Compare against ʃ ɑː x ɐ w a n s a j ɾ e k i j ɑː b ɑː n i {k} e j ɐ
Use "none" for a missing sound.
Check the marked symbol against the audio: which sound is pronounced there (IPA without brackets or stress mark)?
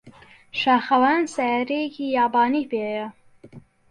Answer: p